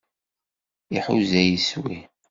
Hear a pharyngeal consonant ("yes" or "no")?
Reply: yes